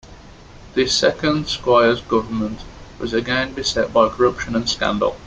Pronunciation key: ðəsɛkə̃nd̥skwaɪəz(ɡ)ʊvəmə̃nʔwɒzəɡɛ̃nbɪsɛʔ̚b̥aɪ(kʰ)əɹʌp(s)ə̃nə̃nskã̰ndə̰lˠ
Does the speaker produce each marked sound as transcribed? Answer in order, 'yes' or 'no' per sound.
yes, yes, no

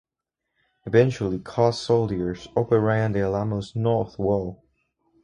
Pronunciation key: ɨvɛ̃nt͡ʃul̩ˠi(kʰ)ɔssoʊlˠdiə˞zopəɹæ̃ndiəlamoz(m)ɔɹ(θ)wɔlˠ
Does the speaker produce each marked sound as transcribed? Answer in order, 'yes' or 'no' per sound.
yes, no, yes

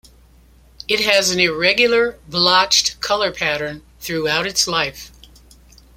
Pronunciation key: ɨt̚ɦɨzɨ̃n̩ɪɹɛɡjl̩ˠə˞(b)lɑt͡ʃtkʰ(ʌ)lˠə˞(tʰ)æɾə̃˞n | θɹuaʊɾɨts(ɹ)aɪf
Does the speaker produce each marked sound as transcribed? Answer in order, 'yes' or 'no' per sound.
yes, yes, no, no

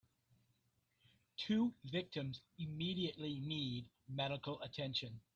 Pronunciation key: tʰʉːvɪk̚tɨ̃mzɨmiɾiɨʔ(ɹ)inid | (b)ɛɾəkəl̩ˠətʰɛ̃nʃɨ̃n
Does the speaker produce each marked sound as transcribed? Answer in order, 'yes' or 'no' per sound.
no, no

